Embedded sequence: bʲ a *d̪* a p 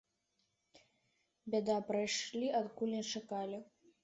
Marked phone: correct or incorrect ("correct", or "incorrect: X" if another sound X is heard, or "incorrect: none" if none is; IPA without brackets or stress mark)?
correct